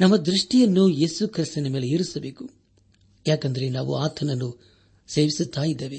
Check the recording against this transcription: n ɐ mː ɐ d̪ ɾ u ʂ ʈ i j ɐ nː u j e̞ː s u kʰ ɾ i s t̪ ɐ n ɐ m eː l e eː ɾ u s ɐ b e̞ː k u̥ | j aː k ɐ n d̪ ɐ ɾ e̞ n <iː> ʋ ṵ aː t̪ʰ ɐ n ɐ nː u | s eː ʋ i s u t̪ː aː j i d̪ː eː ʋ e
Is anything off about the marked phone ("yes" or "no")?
yes